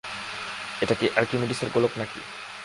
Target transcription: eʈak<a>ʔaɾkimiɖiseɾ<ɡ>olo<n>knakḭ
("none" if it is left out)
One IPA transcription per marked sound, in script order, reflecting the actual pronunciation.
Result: i, ɡ, none

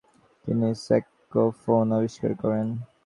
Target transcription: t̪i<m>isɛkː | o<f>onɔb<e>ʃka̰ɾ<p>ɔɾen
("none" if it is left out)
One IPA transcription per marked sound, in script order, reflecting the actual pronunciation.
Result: n, f, i, k

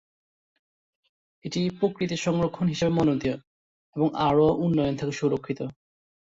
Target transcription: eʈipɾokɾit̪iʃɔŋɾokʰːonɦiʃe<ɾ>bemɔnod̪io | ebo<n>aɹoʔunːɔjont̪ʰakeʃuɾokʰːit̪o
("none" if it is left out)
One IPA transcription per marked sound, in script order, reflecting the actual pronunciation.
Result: none, ŋ

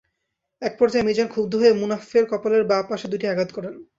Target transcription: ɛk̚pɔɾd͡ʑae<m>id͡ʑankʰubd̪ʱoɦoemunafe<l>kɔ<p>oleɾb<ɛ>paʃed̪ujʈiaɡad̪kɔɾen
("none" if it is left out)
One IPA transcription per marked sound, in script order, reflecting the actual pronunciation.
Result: m, ɾ, p, a

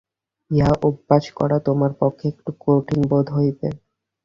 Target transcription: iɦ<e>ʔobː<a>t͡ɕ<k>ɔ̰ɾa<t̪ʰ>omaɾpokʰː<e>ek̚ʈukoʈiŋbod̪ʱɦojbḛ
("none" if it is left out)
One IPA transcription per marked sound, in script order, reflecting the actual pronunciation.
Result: a, a, k, t̪, e

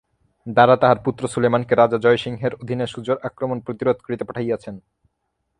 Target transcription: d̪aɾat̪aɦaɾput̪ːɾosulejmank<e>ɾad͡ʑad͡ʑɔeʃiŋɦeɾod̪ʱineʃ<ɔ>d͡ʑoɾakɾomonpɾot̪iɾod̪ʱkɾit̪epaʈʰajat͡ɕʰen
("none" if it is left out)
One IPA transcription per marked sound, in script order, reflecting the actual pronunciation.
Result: e, u

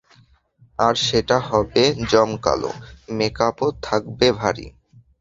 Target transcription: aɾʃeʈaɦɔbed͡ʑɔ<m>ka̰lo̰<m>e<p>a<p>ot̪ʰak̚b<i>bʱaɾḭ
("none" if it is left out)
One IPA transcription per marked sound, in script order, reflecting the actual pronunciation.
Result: m, m, k, p, e

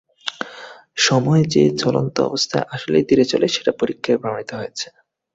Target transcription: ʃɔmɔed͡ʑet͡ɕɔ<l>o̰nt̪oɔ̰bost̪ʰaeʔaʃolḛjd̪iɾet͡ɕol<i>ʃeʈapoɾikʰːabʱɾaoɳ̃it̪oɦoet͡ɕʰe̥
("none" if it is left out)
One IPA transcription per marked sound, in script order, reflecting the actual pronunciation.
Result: l, e

